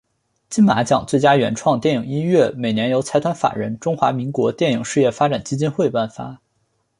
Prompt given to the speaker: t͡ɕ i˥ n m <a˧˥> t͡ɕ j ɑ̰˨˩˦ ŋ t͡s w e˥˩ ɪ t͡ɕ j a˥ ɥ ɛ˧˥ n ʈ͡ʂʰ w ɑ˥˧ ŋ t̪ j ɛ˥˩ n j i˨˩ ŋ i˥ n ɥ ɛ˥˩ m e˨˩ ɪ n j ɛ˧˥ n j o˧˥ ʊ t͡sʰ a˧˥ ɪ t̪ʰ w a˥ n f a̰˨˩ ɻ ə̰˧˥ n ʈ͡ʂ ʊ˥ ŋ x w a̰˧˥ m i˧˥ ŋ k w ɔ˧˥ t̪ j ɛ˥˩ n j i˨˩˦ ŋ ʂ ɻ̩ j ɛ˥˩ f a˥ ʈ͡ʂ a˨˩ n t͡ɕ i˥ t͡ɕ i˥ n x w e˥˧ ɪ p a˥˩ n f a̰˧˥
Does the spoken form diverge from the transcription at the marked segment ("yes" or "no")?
no